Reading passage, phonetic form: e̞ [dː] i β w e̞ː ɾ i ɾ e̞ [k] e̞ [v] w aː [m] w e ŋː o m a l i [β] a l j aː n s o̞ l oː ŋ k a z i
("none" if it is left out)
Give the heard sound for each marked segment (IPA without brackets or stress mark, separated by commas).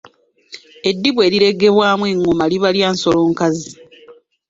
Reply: dː, ɡ, β, m, β